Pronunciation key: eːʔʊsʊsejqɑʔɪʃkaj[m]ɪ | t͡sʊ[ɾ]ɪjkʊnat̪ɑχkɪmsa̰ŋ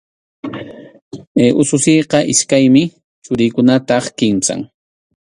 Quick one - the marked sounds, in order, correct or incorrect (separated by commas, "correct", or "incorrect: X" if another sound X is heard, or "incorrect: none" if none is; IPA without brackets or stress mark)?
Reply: correct, correct